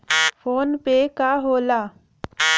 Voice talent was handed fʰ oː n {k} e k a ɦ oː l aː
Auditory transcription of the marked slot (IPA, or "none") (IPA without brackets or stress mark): p